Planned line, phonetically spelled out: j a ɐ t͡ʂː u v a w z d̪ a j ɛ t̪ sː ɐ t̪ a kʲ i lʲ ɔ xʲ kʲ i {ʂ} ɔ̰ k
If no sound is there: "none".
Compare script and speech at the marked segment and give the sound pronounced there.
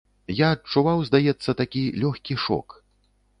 ʂ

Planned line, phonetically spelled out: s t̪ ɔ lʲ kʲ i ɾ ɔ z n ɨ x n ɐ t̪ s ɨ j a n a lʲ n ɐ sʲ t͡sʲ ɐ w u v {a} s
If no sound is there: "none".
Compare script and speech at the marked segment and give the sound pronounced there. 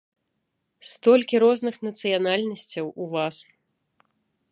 a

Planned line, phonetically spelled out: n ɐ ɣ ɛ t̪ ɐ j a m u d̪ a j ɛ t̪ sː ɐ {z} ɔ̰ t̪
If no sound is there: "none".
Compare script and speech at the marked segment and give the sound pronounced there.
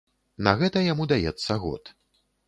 ɣ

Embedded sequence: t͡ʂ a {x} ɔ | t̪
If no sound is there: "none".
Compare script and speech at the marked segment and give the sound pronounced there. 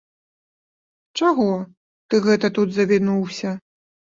ɣ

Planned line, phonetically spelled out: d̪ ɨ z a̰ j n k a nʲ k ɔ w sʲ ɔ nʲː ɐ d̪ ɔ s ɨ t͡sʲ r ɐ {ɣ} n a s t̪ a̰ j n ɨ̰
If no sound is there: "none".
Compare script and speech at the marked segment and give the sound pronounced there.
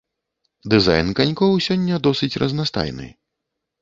z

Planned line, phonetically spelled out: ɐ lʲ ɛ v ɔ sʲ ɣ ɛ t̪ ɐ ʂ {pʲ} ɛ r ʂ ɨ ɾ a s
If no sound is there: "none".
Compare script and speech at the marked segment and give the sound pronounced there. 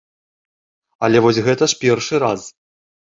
pʲ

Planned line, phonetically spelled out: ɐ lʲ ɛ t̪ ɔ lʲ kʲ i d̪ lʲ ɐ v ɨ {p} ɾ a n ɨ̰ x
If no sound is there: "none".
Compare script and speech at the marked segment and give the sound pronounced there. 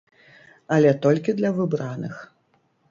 b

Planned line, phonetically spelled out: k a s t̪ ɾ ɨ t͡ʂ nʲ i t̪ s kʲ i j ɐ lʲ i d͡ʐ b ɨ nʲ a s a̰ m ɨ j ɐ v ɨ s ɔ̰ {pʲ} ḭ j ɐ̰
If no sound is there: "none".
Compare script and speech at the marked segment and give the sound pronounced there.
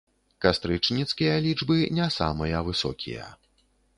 kʲ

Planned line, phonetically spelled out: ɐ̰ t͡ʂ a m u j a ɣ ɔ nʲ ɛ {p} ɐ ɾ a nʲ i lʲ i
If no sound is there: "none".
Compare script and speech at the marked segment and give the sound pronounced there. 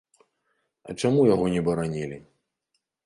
b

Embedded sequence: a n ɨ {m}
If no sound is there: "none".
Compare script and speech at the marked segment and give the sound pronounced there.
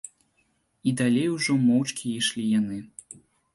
none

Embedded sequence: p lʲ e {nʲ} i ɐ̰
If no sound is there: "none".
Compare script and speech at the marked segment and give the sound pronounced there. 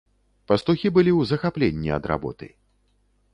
nʲː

